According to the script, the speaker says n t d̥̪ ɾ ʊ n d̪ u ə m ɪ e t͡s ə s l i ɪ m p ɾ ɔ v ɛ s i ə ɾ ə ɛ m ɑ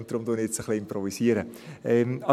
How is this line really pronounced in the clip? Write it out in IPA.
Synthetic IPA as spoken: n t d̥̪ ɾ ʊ m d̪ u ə n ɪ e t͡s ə χ l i ɪ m p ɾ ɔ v i s i ə ɾ ə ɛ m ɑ